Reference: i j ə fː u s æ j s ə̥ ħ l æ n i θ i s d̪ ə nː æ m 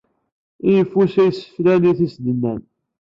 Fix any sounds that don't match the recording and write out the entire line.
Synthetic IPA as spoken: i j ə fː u s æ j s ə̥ f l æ n i θ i s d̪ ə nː æ n